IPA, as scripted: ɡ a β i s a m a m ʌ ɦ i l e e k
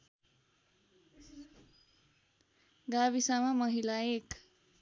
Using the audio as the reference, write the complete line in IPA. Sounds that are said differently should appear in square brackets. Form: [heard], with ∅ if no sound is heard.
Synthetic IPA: ɡ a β i s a m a m ʌ ɦ i l [a] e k